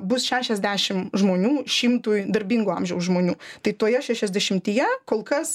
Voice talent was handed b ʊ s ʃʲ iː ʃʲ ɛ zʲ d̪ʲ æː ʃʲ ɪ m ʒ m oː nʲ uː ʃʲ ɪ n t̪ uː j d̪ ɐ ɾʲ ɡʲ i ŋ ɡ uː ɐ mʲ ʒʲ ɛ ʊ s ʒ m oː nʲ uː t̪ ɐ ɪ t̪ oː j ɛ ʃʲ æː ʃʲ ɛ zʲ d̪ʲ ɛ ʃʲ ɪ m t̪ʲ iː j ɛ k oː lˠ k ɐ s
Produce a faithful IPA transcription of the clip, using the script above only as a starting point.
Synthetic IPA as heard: b ʊ s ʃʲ æː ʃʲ ɛ zʲ d̪ʲ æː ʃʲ ɪ m ʒ m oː nʲ uː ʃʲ ɪ m t̪ uː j d̪ ɐ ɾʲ bʲ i ŋ ɡ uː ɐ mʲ ʒʲ ɛ ʊ s ʒ m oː nʲ uː t̪ ɐ ɪ t̪ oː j ɛ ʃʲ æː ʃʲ ɛ zʲ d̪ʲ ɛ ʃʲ ɪ m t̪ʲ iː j ɛ k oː lˠ k ɐ s